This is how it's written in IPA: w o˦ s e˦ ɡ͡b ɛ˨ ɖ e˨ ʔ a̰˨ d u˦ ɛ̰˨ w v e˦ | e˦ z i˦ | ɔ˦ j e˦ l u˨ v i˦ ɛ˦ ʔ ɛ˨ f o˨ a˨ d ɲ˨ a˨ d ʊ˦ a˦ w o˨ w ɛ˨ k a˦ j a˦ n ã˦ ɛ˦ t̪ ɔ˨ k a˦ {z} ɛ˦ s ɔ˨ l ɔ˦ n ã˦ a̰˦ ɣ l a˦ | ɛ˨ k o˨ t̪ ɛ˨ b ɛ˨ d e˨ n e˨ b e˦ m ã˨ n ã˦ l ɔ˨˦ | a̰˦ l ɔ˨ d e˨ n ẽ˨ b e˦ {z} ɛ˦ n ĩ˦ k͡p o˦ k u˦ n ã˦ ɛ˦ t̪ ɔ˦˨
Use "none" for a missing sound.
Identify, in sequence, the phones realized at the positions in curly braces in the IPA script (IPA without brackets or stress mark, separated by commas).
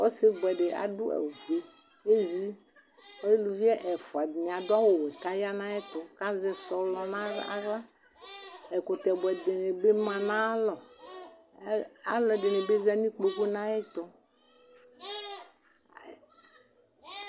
z, z